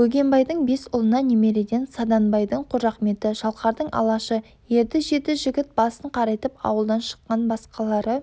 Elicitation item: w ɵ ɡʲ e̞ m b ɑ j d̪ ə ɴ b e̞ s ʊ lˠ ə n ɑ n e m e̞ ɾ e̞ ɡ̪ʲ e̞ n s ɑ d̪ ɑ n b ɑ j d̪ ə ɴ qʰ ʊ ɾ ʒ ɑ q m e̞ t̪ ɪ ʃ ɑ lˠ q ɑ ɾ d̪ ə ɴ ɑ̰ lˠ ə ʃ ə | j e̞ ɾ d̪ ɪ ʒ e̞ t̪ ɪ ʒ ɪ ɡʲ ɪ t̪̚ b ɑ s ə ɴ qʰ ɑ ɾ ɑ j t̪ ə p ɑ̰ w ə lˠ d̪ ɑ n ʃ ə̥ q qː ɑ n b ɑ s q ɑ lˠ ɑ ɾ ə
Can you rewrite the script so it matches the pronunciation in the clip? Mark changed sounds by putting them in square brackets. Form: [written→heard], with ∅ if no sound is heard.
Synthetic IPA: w ɵ ɡʲ e̞ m b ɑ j d̪ ə ɴ b e̞ s ʊ lˠ ə n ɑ n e m e̞ ɾ e̞ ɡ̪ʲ e̞ n s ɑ d̪ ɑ n b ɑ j d̪ ə ɴ qʰ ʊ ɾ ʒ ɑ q m e̞ t̪ ɪ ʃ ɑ lˠ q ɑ ɾ d̪ ə ɴ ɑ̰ lˠ [ə→ɑ] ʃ ə | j e̞ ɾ d̪ ɪ ʒ e̞ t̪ ɪ ʒ ɪ ɡʲ ɪ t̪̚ b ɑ s ə ɴ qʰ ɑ ɾ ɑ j t̪ ə p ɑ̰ w ə lˠ d̪ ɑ n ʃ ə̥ q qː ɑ n b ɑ s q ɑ lˠ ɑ ɾ ə